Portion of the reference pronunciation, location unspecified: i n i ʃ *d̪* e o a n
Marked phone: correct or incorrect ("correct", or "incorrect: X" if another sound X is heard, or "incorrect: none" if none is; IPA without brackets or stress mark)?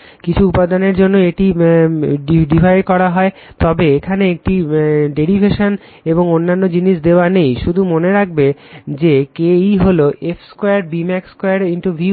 correct